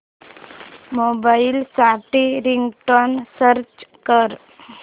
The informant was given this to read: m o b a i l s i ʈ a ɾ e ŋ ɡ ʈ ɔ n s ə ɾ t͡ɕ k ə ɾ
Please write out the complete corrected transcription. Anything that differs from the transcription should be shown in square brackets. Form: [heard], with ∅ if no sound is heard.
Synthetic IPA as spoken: m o b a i l s [a] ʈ [i] ɾ [i] ŋ ɡ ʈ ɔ n s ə ɾ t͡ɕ k ə ɾ